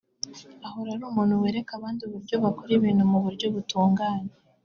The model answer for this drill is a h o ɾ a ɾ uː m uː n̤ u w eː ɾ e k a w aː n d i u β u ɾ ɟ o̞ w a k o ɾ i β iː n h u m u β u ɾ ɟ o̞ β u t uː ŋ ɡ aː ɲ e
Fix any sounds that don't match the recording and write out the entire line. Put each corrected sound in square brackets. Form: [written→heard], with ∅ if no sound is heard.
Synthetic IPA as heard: a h o ɾ a ɾ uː m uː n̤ u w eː ɾ e k a [w→β] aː n d i u β u ɾ ɟ o̞ [w→β] a k o ɾ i β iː n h u m u β u ɾ ɟ o̞ β u t uː ŋ ɡ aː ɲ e